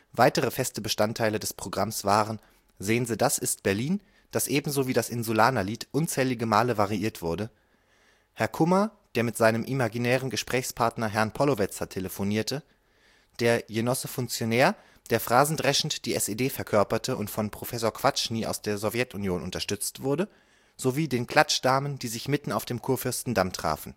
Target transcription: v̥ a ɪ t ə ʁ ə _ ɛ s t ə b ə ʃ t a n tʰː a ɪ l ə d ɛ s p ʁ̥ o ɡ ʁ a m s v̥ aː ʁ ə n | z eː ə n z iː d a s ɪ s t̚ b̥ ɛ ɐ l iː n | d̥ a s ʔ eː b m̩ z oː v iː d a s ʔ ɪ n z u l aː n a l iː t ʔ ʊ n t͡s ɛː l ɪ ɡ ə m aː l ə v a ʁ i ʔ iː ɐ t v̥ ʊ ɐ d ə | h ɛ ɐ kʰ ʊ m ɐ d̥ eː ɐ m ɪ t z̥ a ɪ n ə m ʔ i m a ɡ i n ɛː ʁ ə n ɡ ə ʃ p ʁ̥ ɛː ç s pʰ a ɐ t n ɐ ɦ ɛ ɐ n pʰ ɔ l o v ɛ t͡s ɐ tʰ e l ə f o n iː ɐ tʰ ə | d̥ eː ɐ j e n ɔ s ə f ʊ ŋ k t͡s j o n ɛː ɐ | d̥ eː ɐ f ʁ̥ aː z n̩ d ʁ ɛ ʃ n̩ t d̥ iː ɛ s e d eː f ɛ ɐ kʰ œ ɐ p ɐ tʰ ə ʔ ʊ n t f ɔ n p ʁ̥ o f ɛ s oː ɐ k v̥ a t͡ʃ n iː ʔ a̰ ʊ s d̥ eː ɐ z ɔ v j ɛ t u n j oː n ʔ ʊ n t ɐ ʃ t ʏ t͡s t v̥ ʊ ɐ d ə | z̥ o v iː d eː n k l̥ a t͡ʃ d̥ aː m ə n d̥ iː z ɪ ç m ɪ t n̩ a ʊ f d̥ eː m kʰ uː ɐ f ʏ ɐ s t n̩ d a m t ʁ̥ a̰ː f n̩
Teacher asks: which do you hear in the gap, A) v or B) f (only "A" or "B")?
B